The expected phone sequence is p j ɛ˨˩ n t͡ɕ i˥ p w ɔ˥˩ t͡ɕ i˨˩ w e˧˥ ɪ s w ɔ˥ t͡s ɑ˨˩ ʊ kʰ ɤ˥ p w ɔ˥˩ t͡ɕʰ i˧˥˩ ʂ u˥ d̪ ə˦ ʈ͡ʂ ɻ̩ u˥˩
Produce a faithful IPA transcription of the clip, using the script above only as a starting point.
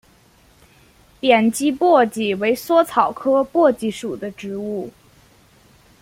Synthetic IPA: p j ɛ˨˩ n t͡ɕ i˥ p w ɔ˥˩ t͡ɕ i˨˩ w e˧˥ ɪ s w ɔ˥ t͡sʰ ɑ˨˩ ʊ kʰ ɤ˥ p w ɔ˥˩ t͡ɕ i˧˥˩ ʂ u˨˩ d̪ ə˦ ʈ͡ʂ ɻ̩ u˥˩